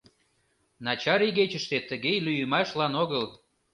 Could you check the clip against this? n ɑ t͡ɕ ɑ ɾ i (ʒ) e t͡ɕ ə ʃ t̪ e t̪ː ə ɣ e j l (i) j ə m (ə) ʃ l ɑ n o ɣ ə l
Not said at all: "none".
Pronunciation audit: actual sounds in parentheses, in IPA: ɣ, y, ɑ

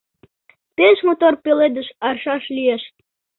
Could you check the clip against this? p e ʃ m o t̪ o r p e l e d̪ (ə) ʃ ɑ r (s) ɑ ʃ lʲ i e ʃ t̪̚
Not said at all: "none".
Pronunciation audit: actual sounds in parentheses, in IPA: ə, ʃ

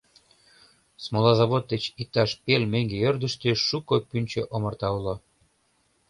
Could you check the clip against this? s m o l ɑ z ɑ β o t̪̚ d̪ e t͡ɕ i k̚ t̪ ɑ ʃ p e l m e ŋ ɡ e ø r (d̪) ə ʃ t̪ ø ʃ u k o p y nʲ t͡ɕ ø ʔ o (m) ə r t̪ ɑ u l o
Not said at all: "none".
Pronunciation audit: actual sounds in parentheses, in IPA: d̪, m

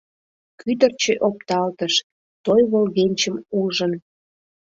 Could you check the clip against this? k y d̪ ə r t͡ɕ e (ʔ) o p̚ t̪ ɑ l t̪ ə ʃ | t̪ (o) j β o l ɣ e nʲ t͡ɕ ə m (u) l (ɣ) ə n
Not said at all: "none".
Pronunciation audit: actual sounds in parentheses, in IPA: ʔ, o, u, ʒ

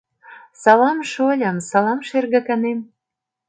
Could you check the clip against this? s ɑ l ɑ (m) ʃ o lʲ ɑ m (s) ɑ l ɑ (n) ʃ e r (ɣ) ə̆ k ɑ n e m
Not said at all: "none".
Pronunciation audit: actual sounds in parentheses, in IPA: m, s, m, ɣ

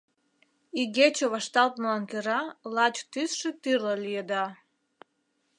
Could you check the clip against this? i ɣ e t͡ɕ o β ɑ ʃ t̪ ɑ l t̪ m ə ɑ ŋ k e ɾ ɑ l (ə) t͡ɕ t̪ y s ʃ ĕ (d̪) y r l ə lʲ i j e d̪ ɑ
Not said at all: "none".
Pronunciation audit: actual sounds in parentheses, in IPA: ɑ, t̪

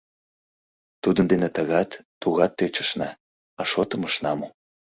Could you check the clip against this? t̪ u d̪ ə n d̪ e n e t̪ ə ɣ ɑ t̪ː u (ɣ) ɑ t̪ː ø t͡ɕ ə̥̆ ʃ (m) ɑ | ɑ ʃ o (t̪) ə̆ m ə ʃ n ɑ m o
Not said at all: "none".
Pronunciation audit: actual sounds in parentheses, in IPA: ɣ, n, t̪

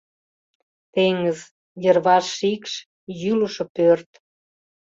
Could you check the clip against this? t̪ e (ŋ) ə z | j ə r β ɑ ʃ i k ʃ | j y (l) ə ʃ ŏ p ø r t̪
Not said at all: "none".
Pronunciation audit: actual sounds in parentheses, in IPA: ŋ, l

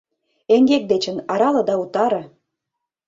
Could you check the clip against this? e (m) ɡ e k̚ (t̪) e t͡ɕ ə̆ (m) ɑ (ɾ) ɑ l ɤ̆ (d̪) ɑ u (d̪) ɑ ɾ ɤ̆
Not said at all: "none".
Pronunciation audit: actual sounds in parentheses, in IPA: ŋ, d̪, n, ɾ, d̪, t̪

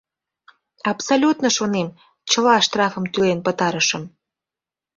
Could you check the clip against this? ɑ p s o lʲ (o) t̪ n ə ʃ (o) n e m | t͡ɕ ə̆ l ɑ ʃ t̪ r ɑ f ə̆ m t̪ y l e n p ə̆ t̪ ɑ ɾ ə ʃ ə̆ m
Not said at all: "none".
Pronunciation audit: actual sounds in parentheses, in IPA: u, o

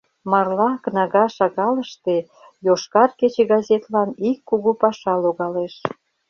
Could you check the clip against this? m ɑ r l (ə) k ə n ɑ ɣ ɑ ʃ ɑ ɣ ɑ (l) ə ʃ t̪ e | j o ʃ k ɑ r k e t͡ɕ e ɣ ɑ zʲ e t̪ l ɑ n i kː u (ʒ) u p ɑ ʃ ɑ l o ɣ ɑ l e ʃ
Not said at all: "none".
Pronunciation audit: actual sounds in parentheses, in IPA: ɑ, l, ɣ

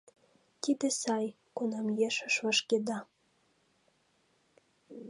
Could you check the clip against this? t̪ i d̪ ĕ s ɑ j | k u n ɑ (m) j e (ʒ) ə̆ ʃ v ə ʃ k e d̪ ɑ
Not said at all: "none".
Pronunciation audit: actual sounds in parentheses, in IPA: m, ʃ

